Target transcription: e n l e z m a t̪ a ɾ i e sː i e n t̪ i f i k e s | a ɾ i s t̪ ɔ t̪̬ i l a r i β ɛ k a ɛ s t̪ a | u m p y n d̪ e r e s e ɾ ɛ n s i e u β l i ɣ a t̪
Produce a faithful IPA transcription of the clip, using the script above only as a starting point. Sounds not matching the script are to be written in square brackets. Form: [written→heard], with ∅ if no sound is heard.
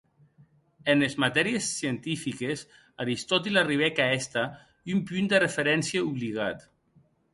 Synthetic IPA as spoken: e n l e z m a t̪ [a→ɛ] ɾ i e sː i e n t̪ i f i k e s | a ɾ i s t̪ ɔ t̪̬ i l a r i β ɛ k a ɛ s t̪ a | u m p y n d̪ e r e [s→f] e ɾ ɛ n s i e u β l i ɣ a t̪